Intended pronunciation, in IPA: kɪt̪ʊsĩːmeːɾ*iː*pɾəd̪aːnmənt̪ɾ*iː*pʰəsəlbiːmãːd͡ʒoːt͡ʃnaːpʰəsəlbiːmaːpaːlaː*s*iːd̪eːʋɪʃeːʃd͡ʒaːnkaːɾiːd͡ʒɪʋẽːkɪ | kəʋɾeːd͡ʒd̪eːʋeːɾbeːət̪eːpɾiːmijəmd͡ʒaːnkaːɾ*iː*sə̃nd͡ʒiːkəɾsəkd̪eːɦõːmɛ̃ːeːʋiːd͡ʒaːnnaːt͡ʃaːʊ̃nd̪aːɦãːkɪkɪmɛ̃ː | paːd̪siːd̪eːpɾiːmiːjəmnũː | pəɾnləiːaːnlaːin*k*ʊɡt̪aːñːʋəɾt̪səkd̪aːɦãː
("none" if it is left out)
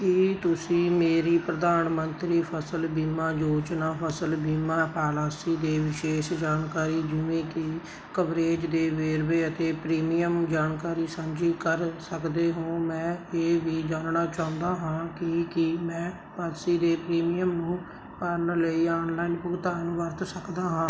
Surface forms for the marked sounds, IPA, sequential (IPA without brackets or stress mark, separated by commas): iː, iː, s, iː, p